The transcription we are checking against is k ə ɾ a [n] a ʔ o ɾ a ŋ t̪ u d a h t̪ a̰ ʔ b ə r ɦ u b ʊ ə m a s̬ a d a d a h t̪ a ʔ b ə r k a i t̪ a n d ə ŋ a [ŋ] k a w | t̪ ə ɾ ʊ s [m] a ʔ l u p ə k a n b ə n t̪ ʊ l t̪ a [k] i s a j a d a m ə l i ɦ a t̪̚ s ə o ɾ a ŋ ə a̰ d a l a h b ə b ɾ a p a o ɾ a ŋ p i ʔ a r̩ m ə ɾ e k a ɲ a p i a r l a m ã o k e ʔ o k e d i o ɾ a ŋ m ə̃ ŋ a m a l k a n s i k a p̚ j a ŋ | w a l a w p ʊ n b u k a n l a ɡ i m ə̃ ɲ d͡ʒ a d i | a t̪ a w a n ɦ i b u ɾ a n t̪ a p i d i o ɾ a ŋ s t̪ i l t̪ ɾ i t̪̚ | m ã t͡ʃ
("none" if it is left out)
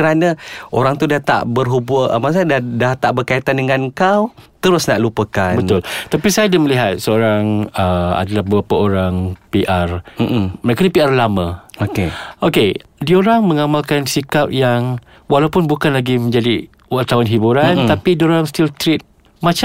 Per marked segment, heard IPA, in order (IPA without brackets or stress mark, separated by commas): n, n, n, p